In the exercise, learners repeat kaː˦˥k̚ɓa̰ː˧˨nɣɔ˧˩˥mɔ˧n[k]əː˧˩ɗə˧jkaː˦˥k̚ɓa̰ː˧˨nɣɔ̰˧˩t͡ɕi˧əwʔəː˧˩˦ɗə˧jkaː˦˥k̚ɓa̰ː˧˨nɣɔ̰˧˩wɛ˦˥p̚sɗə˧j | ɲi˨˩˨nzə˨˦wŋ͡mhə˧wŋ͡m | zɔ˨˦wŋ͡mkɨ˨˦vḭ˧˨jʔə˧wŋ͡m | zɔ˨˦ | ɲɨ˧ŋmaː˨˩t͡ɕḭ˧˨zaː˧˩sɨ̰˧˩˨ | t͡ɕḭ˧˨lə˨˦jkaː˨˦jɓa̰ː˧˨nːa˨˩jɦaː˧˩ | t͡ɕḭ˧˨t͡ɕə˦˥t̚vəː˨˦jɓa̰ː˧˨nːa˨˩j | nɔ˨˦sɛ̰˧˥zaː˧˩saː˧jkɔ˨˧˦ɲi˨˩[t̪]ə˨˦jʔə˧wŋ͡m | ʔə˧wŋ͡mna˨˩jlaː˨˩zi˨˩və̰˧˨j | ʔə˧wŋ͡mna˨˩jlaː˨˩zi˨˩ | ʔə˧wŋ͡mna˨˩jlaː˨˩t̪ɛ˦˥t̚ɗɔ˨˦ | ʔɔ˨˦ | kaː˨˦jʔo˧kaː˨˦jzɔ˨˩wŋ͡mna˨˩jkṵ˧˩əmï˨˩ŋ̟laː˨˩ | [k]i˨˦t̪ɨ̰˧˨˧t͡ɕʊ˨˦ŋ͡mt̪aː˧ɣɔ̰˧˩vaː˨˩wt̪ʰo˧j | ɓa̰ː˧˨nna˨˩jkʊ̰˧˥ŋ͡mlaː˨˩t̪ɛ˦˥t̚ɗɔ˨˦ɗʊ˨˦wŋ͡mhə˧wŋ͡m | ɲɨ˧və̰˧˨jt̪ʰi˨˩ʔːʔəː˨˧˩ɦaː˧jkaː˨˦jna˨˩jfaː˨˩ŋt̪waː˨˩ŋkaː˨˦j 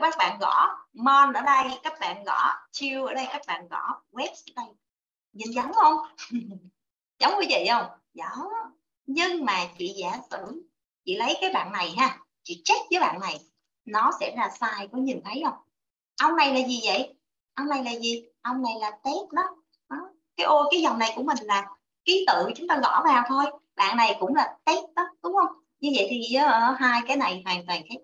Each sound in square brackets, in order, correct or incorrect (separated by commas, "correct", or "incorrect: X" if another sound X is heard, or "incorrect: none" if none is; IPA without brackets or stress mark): incorrect: ʔ, incorrect: t̪ʰ, correct